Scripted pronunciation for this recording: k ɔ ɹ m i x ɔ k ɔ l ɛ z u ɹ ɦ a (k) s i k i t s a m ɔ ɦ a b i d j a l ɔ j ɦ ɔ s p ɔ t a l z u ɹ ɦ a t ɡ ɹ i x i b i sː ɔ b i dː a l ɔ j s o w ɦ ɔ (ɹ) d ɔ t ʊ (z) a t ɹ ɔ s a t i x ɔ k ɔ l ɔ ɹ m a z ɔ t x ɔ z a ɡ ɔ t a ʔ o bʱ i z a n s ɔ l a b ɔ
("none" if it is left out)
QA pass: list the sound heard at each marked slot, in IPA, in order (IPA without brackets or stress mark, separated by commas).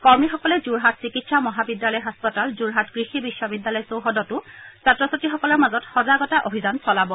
t, none, s